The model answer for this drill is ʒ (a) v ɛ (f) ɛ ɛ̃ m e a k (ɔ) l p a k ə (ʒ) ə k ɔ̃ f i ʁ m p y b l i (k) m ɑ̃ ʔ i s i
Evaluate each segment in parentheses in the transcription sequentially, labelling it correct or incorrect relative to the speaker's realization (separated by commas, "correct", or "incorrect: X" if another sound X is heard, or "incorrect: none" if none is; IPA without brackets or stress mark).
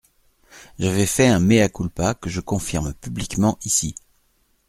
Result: correct, correct, incorrect: u, correct, correct